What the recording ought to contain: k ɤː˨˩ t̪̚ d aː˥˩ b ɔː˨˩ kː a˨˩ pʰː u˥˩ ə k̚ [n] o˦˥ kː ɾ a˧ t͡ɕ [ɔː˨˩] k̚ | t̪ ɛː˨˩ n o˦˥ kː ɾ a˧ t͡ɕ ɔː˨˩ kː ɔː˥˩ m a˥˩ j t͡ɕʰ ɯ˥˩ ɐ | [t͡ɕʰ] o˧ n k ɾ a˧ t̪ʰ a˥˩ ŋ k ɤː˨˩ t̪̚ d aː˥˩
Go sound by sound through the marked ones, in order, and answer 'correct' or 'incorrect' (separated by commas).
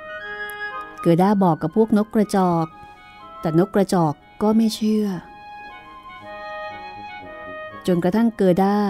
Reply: correct, correct, incorrect